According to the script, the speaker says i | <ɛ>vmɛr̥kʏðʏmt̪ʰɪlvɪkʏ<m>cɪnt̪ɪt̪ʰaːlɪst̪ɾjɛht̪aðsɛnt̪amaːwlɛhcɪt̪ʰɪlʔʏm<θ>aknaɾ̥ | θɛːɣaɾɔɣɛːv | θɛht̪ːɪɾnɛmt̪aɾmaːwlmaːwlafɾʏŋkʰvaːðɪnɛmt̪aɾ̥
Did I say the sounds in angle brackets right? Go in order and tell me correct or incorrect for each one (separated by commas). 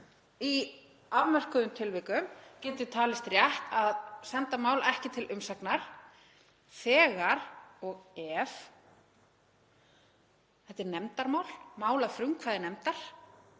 incorrect, correct, incorrect